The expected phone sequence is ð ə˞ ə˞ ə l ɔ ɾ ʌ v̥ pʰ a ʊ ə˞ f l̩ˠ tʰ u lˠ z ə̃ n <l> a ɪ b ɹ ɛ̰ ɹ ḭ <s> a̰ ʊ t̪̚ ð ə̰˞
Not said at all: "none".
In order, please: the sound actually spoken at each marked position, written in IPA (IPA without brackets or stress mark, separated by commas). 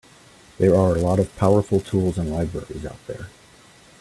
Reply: l, z